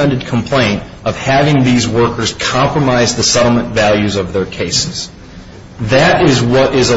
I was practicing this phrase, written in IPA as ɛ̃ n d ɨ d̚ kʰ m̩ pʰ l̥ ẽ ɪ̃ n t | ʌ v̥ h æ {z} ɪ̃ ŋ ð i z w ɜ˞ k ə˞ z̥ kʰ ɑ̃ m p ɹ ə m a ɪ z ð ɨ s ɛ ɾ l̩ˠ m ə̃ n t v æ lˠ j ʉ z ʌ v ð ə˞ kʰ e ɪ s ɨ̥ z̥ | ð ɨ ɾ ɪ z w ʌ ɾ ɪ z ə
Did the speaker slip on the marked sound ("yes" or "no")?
yes